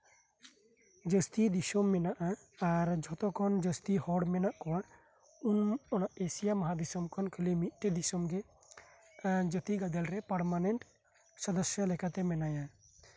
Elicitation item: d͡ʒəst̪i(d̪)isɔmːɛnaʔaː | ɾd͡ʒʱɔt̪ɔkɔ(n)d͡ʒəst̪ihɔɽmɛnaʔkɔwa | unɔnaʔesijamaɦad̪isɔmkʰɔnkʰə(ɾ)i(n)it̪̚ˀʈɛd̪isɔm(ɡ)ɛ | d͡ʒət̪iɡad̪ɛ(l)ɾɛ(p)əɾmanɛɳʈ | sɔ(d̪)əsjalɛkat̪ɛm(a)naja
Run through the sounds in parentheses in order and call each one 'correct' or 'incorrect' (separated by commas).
correct, correct, incorrect, incorrect, correct, correct, correct, correct, incorrect